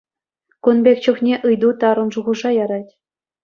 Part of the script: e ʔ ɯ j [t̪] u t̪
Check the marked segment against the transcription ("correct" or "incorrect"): incorrect